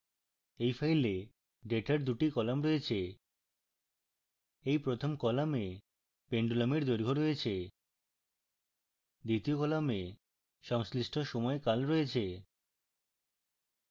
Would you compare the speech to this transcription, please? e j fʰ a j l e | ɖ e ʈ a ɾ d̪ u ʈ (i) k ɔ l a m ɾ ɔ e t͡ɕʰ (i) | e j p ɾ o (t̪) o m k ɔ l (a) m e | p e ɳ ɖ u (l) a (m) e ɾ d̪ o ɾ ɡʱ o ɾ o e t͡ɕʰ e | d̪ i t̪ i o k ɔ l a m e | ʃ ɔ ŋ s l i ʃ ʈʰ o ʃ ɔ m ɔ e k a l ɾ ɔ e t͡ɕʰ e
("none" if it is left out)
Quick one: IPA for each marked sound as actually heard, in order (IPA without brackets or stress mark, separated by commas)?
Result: i, e, t̪ʰ, a, l, m